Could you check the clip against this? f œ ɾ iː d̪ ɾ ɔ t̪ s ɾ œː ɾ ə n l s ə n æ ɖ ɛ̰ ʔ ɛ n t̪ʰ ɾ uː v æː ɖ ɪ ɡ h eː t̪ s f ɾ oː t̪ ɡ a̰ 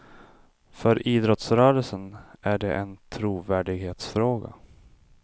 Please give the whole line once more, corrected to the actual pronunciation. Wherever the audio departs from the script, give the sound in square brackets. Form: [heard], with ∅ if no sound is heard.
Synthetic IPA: f œ ɾ iː d̪ ɾ ɔ t̪ s ɾ œː ɾ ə [∅] l s ə n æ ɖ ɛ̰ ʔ ɛ n t̪ʰ ɾ uː v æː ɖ ɪ ɡ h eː t̪ s f ɾ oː [∅] ɡ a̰